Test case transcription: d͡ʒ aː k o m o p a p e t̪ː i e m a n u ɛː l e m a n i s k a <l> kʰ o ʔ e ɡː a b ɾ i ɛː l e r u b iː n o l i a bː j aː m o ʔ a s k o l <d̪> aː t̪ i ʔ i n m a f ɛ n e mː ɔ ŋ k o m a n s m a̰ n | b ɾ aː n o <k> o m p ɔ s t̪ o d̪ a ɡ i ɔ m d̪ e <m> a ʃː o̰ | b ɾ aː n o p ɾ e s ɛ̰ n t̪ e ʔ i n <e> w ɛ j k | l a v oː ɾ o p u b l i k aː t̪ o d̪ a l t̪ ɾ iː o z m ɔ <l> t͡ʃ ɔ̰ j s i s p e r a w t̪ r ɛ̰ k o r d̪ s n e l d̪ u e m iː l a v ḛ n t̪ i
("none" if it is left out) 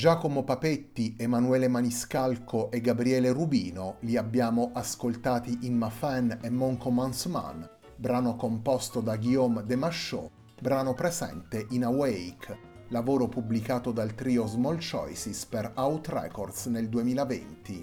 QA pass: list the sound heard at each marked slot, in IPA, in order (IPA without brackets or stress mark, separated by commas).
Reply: l, t̪, k, m, a, l